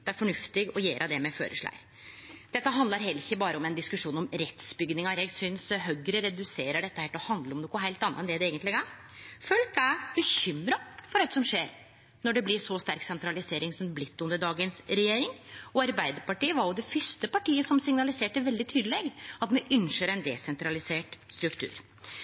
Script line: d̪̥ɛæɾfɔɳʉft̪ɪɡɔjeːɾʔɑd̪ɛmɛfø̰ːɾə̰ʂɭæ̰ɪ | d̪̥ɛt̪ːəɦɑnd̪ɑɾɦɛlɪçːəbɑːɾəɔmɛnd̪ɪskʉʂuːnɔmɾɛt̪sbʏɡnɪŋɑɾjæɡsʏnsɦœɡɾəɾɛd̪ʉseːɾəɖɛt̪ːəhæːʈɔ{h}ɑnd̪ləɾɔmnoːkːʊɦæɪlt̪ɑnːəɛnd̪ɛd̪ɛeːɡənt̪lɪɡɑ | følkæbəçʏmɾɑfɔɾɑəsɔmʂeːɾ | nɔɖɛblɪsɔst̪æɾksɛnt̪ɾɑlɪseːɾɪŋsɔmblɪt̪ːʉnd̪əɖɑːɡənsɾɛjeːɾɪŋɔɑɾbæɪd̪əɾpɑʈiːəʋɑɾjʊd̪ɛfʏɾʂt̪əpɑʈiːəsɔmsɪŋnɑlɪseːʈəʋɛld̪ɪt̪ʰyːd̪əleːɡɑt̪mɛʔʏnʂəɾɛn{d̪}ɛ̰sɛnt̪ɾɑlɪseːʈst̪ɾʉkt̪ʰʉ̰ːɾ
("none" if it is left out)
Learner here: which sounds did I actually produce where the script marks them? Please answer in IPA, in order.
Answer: h, d̪

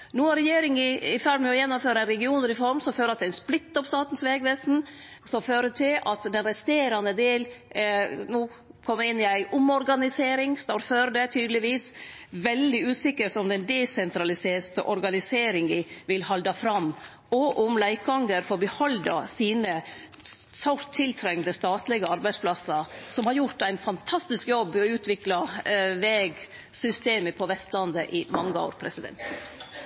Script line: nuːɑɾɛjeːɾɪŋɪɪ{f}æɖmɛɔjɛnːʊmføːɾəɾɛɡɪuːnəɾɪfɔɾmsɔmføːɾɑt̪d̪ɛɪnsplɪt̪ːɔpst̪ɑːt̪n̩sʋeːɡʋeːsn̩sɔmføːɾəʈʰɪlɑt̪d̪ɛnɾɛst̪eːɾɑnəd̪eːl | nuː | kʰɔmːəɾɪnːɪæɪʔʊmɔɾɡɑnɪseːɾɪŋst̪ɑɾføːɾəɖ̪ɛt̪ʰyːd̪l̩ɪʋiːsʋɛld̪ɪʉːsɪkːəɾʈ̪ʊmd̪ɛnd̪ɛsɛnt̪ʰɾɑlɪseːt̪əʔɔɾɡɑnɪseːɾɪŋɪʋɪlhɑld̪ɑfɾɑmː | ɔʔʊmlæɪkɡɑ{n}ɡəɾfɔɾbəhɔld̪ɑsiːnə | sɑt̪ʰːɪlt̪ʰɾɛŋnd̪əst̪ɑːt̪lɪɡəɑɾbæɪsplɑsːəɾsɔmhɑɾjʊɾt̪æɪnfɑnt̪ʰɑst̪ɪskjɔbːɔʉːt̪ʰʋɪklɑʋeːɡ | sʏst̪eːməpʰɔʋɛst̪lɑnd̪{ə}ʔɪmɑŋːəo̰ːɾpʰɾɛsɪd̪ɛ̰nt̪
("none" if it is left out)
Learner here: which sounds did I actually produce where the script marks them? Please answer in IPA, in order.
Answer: f, ŋ, ə

